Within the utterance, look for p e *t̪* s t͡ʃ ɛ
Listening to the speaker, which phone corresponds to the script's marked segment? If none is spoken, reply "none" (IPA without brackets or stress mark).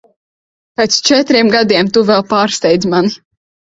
t̪